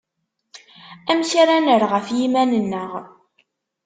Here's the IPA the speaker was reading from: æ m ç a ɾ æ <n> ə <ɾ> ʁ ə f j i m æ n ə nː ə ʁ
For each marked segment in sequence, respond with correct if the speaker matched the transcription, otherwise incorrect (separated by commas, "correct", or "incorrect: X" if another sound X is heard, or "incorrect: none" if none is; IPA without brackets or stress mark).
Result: correct, correct